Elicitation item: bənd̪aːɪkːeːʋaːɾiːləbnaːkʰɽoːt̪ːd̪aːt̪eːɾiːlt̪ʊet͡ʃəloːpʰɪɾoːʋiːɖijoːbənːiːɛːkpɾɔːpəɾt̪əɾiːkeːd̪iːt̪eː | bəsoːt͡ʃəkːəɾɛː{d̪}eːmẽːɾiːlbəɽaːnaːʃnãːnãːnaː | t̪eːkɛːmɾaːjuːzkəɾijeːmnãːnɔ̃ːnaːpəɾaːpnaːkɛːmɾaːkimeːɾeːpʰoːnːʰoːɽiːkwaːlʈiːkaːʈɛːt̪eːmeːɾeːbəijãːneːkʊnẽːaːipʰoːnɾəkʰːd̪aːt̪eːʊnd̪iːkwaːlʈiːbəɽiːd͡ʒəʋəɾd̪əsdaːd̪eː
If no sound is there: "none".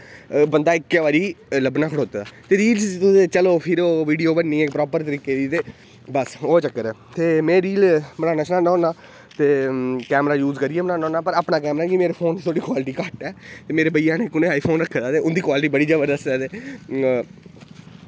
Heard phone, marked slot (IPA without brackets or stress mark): t̪